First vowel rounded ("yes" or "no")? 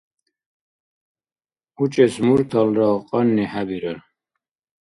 yes